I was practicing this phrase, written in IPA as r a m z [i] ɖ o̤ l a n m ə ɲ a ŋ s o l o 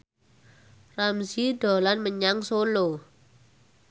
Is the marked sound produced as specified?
yes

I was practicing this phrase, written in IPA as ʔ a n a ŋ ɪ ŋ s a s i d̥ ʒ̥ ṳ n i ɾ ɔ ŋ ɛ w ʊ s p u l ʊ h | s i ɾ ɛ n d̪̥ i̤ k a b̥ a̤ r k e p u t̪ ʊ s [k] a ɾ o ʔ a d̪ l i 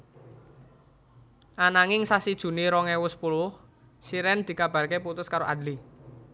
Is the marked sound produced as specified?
yes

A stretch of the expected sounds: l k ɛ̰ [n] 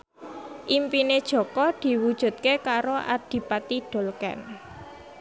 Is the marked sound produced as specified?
yes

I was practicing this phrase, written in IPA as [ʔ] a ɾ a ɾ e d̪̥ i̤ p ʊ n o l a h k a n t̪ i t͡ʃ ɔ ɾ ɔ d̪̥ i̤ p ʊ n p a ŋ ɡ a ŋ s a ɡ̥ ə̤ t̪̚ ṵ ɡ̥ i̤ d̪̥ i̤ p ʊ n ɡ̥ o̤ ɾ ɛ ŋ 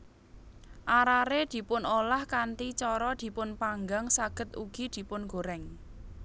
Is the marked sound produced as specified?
yes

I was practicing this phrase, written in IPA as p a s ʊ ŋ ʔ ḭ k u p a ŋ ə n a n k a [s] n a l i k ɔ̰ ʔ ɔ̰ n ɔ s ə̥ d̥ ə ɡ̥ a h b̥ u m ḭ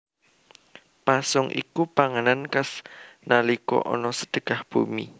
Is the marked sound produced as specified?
yes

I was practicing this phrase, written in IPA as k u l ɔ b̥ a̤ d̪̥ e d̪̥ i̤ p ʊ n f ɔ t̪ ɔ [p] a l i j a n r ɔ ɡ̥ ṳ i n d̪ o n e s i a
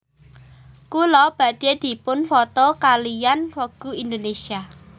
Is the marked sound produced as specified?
no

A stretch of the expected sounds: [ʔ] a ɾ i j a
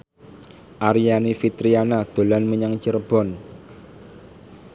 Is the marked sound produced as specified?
yes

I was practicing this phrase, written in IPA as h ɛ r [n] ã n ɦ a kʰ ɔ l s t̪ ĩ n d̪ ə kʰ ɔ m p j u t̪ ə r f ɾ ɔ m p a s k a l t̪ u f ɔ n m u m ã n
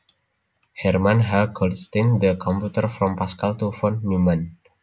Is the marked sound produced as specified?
no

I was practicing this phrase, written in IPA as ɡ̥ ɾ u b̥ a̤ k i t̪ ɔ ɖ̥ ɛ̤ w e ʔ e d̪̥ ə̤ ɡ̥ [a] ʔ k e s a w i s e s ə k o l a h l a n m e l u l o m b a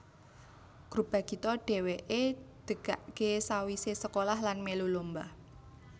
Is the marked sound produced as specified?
yes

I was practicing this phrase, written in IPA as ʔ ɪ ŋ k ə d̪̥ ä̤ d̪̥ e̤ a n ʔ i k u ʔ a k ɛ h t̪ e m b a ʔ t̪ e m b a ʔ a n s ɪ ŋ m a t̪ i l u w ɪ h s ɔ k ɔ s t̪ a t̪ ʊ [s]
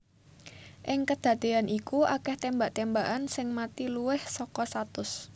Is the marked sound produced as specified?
yes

